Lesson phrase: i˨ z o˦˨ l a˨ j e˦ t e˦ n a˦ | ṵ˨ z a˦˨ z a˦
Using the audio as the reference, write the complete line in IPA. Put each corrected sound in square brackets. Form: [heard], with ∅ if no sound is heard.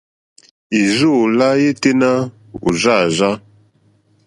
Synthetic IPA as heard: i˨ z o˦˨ l [a˦] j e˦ t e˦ n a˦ | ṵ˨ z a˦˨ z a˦